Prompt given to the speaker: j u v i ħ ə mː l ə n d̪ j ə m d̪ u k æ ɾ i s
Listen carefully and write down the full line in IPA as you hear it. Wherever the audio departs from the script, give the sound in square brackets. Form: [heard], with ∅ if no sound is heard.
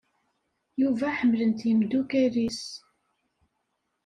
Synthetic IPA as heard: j u v [æ] ħ ə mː l ə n [t̪] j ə m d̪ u k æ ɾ i s